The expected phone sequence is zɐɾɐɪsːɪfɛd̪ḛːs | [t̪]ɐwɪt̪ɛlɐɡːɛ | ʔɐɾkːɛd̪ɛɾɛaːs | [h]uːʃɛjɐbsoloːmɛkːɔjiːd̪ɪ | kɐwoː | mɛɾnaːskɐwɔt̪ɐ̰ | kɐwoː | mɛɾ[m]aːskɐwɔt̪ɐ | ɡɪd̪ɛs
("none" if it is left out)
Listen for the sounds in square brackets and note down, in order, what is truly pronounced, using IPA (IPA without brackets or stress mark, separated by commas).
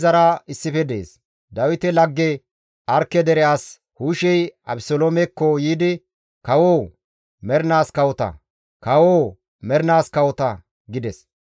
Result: d̪, h, n